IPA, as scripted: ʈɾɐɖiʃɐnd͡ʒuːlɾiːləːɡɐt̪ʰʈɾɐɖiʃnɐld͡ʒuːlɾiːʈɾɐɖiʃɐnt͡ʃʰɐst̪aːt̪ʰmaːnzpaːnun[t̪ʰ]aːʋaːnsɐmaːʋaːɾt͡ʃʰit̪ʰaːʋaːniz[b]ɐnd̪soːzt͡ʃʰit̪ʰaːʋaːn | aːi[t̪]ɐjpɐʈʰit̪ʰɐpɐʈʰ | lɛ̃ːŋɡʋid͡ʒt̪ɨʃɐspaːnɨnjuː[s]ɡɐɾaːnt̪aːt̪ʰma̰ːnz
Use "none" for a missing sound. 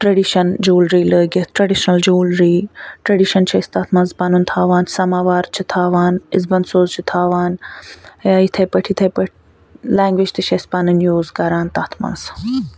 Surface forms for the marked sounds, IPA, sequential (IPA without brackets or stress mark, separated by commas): t̪ʰ, b, t̪ʰ, z